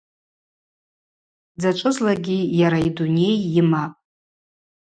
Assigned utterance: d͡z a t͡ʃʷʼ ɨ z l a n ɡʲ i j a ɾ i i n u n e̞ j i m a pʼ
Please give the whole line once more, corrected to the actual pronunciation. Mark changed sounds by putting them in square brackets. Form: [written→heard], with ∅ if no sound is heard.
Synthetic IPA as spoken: d͡z a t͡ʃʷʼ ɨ z l a [n→∅] ɡʲ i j a ɾ [i→a] i [n→d] u n e̞ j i m a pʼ